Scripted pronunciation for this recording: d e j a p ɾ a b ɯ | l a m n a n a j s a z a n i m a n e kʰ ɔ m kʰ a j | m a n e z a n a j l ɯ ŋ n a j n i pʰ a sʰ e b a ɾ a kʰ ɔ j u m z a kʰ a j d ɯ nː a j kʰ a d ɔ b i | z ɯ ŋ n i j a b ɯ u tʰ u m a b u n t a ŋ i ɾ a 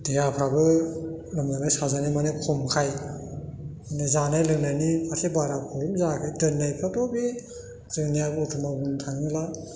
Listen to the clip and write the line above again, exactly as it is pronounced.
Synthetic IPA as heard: d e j a pʰ ɾ a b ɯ | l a m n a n a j s a z a n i m a n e kʰ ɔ m kʰ a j | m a n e z a n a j l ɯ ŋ n a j n i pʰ a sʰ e b a ɾ a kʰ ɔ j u m z a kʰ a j d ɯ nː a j pʰ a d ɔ b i | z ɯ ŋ n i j a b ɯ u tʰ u m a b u n tʰ a ŋ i l a